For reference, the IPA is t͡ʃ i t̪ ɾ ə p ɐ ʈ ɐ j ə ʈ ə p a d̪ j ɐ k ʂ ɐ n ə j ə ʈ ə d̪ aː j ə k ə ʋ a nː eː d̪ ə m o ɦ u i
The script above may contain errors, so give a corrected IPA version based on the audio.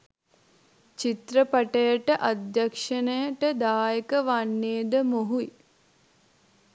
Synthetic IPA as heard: t͡ʃ i t̪ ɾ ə p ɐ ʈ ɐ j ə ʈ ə ʔ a d̪ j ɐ k ʂ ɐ n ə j ə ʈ ə d̪ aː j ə k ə ʋ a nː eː d̪ ə m o ɦ u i